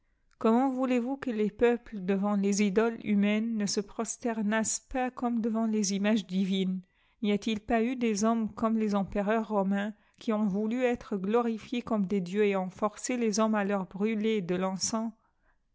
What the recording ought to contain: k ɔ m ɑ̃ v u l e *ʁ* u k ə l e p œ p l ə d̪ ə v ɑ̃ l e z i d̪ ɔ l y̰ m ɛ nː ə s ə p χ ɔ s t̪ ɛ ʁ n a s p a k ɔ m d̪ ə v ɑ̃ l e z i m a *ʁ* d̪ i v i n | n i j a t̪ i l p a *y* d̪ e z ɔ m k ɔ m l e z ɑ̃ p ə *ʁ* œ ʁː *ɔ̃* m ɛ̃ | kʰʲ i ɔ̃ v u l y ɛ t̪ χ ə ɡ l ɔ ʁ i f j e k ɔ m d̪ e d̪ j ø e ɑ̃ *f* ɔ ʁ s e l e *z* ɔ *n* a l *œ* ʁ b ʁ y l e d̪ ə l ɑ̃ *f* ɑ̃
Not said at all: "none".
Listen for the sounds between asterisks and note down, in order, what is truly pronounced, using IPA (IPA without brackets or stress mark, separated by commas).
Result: v, ʒ, y, ʁ, ɔ, f, z, m, œ, s